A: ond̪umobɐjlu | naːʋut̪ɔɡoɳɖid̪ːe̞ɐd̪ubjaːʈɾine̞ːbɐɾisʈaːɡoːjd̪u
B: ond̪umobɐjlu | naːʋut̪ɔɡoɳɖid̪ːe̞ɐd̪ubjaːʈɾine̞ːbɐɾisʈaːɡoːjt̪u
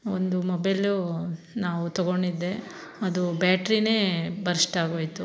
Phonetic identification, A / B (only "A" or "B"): B